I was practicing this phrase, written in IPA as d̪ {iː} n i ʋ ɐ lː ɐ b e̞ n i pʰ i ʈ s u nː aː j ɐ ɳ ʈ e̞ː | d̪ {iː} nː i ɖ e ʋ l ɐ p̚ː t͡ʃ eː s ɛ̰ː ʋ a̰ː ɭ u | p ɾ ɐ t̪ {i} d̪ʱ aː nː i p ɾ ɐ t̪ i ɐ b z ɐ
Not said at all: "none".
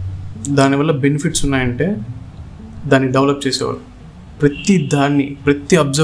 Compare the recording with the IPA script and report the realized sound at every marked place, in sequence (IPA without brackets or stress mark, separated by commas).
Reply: aː, aː, i